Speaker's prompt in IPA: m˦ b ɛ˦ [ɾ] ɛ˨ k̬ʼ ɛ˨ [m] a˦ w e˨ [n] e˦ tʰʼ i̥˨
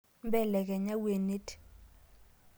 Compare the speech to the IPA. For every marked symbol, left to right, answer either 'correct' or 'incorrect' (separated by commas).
incorrect, incorrect, correct